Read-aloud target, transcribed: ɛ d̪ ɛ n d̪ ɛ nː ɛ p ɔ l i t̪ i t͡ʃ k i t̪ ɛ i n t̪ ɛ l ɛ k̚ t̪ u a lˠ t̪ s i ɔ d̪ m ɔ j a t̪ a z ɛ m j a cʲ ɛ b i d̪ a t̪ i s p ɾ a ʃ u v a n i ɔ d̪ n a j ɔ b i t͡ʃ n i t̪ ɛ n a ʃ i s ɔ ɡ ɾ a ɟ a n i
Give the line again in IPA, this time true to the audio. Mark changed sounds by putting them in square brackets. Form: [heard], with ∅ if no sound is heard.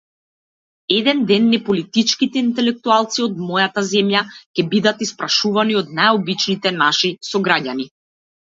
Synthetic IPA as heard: ɛ d̪ ɛ n d̪ ɛ nː ɛ p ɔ l i t̪ i t͡ʃ k i t̪ ɛ i n t̪ ɛ l ɛ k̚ t̪ u a lˠ t̪ s i ɔ d̪ m ɔ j a t̪ a z ɛ m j a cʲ ɛ b i d̪ a t̪ i s p ɾ a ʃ u v a n i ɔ d̪ n a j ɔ b i t͡ʃ n i t̪ ɛ n a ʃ i s ɔ ɡ ɾ a ɟ a n i

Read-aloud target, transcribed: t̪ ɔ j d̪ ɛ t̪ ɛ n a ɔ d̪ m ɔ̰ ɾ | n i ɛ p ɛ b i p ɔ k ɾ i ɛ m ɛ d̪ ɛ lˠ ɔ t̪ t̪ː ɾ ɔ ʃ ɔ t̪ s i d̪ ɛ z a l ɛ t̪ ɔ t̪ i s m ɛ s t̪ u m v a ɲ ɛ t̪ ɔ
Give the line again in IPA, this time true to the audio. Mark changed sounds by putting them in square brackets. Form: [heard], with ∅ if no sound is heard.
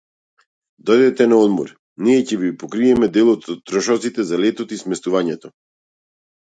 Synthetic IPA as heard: [d̪] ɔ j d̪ ɛ t̪ ɛ n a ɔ d̪ m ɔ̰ ɾ | n i ɛ [c] ɛ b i p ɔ k ɾ i ɛ m ɛ d̪ ɛ lˠ ɔ t̪ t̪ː ɾ ɔ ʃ ɔ t̪ s i [t̪] ɛ z a l ɛ t̪ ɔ t̪ i s m ɛ s t̪ u [∅] v a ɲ ɛ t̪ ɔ

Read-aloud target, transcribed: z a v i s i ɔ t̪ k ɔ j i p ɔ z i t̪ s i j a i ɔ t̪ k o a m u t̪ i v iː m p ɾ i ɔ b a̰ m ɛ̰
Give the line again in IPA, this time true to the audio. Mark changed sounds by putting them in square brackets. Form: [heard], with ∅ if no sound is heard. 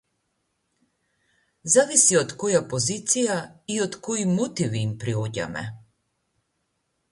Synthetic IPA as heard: z a v i s i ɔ t̪ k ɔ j [a] p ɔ z i t̪ s i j a i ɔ t̪ k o [i] m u t̪ i v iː m p ɾ i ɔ [ɟ] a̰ m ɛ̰

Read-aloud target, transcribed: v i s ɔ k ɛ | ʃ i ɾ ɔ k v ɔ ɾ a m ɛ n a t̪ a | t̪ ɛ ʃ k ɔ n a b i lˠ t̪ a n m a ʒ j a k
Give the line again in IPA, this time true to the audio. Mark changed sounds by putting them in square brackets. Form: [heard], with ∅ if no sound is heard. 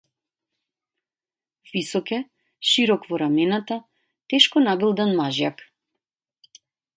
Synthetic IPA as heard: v i s ɔ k ɛ | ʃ i ɾ ɔ k v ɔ ɾ a m ɛ n a t̪ a | t̪ ɛ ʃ k ɔ n a b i lˠ [d̪] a n m a ʒ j a k

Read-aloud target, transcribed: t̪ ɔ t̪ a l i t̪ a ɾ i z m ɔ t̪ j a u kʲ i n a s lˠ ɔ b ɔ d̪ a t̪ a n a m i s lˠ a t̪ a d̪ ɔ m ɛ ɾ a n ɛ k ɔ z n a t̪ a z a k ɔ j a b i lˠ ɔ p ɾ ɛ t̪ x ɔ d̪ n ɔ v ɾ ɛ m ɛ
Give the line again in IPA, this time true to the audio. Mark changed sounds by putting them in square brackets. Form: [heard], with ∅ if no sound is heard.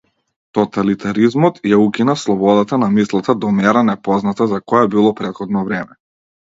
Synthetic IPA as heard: t̪ ɔ t̪ a l i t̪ a ɾ i z m ɔ t̪ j a u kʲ i n a s lˠ ɔ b ɔ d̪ a t̪ a n a m i s lˠ a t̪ a d̪ ɔ m ɛ ɾ a n ɛ [p] ɔ z n a t̪ a z a k ɔ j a b i lˠ ɔ p ɾ ɛ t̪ x ɔ d̪ n ɔ v ɾ ɛ m ɛ

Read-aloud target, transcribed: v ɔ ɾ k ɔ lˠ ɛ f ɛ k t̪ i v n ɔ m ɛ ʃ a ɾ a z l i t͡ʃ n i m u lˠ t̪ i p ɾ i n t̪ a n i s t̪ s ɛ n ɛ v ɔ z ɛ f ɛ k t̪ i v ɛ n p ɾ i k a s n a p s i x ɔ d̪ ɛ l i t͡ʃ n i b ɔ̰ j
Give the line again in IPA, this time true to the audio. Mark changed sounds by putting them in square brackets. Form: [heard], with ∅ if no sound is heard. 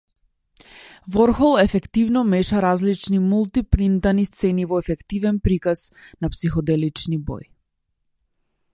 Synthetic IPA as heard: v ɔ ɾ [x] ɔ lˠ ɛ f ɛ k t̪ i v n ɔ m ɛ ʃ a ɾ a z l i t͡ʃ n i m u lˠ t̪ i p ɾ i n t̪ a n i s t̪ s ɛ n [i] v ɔ [∅] ɛ f ɛ k t̪ i v ɛ n p ɾ i k a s n a p s i x ɔ d̪ ɛ l i t͡ʃ n i b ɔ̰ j

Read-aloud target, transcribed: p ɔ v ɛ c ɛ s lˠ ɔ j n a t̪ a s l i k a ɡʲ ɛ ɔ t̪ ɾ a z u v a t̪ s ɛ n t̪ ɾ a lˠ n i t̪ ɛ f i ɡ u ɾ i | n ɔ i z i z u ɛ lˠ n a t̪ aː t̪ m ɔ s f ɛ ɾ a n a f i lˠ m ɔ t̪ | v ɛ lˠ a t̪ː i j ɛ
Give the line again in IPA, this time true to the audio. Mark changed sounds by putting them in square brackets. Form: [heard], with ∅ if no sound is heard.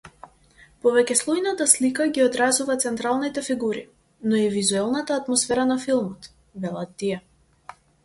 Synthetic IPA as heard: p ɔ v ɛ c ɛ s lˠ ɔ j n a t̪ a s l i k a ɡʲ [i] ɔ [d̪] ɾ a z u v a t̪ s ɛ n t̪ ɾ a lˠ n i t̪ ɛ f i ɡ u ɾ i | n ɔ i [v] i z u ɛ lˠ n a t̪ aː t̪ m ɔ s f ɛ ɾ a n a f i lˠ m ɔ t̪ | v ɛ lˠ a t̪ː i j ɛ

